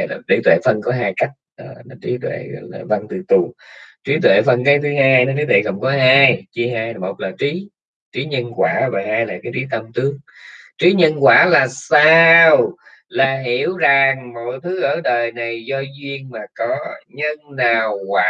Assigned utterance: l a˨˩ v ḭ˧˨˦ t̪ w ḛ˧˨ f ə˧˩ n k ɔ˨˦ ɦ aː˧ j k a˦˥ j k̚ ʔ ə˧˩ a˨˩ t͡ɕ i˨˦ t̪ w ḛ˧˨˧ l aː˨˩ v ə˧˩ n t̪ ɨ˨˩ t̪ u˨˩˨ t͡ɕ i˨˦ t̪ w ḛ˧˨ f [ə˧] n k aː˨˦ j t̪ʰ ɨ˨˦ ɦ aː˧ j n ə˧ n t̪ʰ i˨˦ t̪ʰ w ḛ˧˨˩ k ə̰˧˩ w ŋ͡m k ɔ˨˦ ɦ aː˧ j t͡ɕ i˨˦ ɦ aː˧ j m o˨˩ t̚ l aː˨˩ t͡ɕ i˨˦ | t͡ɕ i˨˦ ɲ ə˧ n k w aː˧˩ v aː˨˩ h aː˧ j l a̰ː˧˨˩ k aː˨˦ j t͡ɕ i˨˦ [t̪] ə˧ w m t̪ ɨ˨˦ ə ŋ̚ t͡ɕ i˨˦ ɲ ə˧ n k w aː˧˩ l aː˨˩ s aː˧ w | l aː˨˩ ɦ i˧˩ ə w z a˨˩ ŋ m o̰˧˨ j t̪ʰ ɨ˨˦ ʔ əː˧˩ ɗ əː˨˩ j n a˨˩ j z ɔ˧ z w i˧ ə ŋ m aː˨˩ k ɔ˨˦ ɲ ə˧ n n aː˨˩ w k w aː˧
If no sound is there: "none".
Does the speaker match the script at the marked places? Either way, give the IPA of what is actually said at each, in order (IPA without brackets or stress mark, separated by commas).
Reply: ə˧, t̪